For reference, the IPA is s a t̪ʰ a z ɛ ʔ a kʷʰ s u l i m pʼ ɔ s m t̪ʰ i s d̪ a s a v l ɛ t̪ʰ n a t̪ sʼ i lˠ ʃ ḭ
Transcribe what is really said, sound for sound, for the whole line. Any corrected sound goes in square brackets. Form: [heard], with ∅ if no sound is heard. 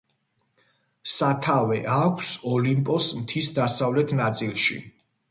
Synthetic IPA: s a t̪ʰ a [v] ɛ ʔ a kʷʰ s [ɔ] l i m pʼ ɔ s m t̪ʰ i s d̪ a s a v l ɛ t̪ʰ n a t̪ sʼ i lˠ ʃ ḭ